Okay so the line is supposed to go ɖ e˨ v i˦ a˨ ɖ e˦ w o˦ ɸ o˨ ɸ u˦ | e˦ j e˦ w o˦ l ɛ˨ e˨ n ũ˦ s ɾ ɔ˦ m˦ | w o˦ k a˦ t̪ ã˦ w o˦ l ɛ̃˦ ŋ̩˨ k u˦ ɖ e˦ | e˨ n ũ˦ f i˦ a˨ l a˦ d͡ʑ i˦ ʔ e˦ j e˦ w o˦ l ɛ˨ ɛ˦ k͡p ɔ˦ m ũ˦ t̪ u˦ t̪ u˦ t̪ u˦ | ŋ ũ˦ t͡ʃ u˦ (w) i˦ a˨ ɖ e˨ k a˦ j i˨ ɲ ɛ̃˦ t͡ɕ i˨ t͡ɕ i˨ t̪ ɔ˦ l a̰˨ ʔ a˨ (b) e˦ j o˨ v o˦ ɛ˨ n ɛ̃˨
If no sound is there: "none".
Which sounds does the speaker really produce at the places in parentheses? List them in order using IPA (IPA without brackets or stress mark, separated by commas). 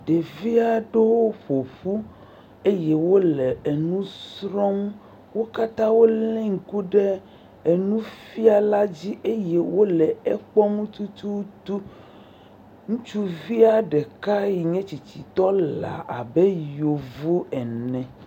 v, b